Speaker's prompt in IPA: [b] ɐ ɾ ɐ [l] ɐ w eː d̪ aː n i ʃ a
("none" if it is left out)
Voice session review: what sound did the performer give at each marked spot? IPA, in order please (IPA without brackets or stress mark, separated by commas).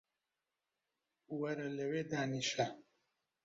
w, l